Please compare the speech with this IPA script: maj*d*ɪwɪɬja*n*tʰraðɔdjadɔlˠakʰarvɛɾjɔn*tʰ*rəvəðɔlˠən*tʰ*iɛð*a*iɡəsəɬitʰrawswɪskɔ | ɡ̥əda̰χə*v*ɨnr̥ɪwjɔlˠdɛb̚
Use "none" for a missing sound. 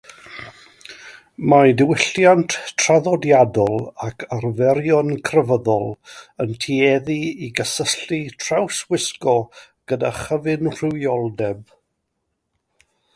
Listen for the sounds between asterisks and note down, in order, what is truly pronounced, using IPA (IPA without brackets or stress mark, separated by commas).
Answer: d, n, kʰ, tʰ, i, v